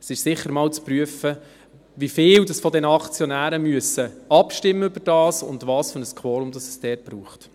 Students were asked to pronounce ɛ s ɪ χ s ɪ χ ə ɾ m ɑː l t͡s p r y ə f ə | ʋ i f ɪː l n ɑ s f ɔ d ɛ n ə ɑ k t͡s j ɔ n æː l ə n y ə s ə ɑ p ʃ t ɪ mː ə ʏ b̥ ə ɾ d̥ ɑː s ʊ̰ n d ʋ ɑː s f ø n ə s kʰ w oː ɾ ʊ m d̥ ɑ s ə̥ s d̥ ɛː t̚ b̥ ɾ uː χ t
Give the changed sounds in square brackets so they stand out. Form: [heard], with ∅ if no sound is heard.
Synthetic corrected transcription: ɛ s ɪ [ʃ] s ɪ χ ə ɾ m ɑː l t͡s p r y ə f ə | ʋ i f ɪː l [d] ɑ s f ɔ d ɛ n ə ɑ k t͡s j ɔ n æː [ɾ] ə [m] y ə s ə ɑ p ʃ t ɪ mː ə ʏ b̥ ə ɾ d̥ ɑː s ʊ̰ n d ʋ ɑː s f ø n ə s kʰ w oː ɾ ʊ m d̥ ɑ s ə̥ s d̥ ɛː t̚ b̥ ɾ uː χ t